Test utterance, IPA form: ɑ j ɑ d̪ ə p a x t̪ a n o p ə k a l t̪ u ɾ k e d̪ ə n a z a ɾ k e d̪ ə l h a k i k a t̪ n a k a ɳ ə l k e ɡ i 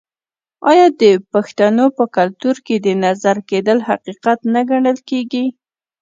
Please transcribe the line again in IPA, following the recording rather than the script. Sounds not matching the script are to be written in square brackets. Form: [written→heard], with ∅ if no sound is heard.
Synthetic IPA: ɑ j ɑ d̪ ə p a x t̪ a n o p ə k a l t̪ u ɾ k e d̪ ə n a z a ɾ k e d̪ ə l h a [k→q] i [k→q] a t̪ n a [k→ɡ] a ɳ ə l k e ɡ i